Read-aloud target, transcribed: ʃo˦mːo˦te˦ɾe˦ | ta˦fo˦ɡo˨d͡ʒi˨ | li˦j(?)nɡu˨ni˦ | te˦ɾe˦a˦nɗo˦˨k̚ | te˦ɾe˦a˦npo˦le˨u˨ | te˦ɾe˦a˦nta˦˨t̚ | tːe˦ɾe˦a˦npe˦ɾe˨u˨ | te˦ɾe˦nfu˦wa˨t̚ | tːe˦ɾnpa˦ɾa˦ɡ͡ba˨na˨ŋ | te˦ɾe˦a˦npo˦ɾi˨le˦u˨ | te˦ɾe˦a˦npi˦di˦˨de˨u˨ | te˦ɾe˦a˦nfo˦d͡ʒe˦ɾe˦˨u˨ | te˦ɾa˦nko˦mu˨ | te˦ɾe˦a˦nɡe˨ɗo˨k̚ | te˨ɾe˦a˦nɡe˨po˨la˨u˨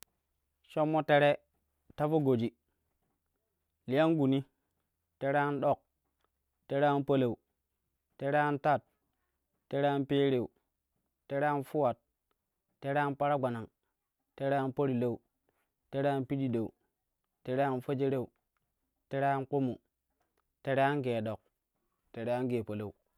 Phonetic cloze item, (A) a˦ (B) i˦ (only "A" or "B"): A